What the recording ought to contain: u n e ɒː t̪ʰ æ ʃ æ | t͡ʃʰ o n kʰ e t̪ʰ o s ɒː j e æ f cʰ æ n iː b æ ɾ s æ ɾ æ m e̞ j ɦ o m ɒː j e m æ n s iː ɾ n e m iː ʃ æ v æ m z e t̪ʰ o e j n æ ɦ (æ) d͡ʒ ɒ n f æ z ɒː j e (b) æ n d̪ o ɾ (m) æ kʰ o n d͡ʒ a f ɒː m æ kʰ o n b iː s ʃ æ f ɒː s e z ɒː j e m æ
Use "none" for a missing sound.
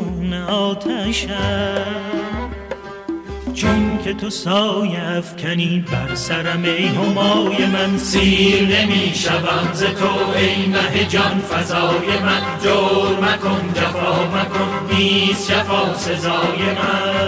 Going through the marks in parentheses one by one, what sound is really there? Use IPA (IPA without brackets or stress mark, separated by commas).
e, m, m